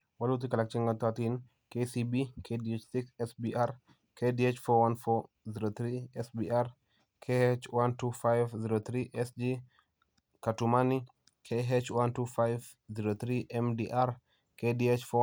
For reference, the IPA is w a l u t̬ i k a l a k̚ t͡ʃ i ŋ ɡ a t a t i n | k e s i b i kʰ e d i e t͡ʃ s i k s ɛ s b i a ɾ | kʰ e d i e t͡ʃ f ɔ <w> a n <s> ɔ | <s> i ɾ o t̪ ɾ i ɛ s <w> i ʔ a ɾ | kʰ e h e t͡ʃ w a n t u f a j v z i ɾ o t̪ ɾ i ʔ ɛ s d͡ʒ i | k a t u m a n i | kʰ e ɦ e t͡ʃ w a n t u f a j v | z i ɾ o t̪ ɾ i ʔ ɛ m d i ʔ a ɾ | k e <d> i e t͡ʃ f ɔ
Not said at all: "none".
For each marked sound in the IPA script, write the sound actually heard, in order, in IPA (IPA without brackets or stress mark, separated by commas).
w, f, z, b, d